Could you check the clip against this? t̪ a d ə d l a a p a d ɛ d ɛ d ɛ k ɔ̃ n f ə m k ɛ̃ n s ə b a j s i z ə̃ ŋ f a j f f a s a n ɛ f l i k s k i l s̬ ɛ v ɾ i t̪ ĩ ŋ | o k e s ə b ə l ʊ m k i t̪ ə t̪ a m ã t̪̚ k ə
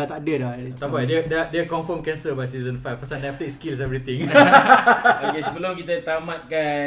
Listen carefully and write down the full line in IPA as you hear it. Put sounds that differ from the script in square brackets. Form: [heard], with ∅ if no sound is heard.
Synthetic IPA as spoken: t̪ a d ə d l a a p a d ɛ d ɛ d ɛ k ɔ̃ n f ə m k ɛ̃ n s ə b a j s i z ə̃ [n] f a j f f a s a n ɛ f l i k s k i l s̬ ɛ v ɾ i t̪ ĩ ŋ | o k e s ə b ə l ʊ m k i t̪ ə t̪ a m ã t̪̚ k [a]